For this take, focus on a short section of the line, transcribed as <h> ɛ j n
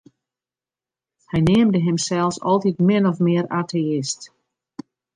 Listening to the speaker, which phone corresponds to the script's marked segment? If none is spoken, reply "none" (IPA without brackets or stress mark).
h